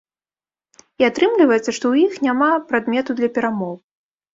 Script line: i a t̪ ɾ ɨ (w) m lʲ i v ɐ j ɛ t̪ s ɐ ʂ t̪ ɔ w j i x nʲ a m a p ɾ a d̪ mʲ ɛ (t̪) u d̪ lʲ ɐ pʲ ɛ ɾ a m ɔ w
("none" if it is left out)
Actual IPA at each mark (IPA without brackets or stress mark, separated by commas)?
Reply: none, t̪